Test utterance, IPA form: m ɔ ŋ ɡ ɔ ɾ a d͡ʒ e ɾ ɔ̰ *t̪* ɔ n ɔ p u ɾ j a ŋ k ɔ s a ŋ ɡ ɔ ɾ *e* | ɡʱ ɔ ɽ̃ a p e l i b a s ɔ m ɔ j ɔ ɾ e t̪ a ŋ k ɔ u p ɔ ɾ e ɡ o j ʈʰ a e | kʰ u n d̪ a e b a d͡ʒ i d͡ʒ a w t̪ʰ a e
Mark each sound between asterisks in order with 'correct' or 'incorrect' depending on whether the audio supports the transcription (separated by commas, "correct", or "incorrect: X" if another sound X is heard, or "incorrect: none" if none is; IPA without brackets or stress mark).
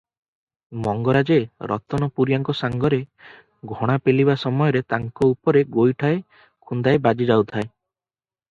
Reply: correct, correct